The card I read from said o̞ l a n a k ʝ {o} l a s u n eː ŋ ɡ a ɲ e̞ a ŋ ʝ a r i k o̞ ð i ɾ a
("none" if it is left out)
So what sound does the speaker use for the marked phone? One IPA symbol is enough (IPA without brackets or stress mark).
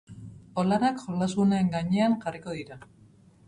o